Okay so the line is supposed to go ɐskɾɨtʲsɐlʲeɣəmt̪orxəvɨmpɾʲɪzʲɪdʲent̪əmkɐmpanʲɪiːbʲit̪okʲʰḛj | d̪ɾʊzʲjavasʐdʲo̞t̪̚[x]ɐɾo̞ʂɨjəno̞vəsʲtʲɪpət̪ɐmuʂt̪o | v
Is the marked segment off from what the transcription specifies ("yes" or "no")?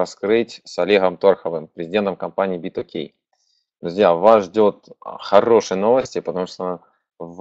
no